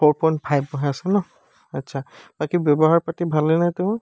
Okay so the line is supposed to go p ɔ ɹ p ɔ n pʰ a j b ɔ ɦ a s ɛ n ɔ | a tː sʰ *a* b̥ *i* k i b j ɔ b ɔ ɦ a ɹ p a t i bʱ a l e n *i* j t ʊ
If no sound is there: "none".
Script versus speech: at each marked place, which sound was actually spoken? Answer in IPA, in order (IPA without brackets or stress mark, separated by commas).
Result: a, a, a